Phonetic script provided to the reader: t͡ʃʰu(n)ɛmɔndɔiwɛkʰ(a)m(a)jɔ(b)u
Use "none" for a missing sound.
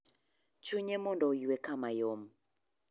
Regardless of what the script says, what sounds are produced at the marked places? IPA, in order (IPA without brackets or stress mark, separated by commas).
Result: ɲ, a, a, m